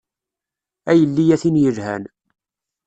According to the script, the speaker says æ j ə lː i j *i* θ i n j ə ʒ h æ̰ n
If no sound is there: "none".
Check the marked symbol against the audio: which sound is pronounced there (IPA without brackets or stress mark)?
æ